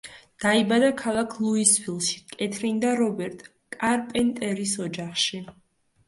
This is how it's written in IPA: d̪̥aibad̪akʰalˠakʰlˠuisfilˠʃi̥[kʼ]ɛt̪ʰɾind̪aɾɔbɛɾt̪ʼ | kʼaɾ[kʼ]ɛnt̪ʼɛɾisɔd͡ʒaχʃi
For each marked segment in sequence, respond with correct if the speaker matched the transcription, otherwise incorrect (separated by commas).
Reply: correct, incorrect